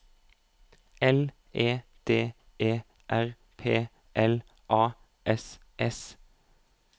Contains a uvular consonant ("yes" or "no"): yes